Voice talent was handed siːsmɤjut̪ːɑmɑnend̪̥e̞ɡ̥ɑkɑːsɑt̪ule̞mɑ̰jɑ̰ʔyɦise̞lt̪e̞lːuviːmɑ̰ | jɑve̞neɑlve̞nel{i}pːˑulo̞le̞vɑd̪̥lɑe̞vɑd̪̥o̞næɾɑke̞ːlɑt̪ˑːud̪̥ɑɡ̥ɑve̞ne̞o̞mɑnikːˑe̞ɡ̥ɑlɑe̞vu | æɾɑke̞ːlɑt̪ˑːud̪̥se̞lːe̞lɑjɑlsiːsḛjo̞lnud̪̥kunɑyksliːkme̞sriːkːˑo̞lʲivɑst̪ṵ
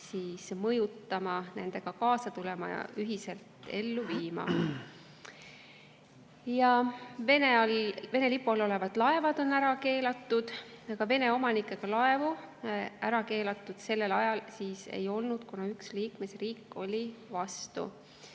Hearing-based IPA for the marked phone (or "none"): i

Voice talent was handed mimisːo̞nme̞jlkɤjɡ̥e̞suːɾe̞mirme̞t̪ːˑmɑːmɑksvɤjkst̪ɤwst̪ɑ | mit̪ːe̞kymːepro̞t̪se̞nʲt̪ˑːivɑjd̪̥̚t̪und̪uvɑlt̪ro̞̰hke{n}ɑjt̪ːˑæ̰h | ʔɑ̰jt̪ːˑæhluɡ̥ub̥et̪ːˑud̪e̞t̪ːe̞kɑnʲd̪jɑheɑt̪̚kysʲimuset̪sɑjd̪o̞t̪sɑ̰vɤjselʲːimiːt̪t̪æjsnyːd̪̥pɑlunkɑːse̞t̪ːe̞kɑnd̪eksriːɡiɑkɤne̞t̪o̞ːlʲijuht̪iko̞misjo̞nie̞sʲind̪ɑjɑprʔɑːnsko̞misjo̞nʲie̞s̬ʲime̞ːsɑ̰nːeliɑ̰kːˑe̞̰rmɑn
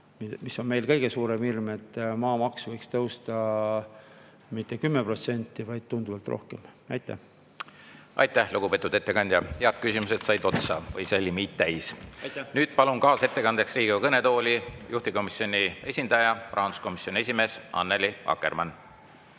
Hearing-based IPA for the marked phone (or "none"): m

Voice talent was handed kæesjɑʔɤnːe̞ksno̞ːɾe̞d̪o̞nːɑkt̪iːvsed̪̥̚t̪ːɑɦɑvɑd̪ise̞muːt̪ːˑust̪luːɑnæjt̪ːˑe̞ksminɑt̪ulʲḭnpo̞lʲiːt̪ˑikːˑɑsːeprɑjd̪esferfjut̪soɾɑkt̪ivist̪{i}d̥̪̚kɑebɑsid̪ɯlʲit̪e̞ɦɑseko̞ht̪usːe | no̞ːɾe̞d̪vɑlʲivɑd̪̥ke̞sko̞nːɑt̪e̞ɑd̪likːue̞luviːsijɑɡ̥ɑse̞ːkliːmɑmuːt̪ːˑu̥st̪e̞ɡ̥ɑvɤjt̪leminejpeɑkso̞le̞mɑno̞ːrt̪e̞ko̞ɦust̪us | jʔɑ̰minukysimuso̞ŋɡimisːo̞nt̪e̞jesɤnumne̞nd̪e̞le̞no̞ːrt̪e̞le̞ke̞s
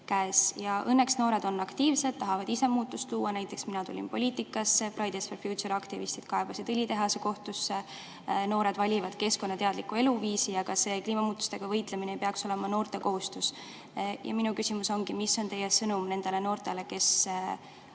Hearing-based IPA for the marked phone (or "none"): i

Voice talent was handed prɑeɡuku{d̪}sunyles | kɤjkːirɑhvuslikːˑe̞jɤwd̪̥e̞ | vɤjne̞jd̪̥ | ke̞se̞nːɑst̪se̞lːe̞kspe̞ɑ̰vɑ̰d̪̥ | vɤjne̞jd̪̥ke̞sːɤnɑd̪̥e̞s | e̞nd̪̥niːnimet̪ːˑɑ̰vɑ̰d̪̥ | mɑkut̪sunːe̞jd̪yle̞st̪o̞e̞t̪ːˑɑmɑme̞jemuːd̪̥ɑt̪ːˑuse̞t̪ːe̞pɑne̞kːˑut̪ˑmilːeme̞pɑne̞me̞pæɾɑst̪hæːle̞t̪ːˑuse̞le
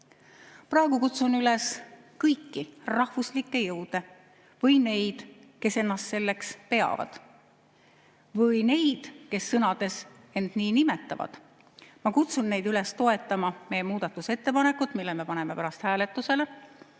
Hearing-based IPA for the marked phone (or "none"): t̪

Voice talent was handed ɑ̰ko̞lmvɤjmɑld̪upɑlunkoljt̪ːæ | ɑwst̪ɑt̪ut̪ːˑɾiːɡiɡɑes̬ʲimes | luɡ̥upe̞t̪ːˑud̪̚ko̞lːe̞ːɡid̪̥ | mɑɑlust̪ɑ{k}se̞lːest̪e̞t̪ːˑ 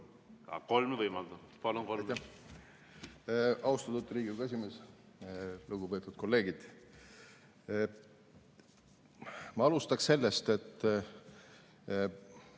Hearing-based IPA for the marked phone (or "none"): k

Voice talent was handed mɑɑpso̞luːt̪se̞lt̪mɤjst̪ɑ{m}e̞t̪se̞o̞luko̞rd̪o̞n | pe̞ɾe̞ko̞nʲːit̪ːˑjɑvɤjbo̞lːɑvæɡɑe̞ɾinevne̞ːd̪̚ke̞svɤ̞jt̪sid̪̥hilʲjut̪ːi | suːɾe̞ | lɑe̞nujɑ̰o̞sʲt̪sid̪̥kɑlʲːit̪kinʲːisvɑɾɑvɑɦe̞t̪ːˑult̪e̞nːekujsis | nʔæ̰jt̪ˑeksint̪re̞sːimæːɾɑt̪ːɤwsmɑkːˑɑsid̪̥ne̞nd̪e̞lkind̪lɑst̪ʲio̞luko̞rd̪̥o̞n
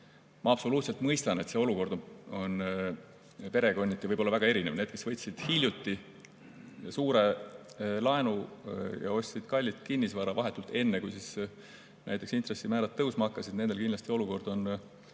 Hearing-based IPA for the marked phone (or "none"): n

